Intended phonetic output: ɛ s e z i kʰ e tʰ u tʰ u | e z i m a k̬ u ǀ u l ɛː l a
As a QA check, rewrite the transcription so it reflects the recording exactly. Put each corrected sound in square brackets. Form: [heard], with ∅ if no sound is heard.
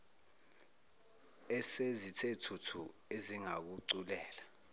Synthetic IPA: ɛ s e z i [tʰ] e tʰ u tʰ u | e z i [ŋ] a k̬ u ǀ u l ɛː l a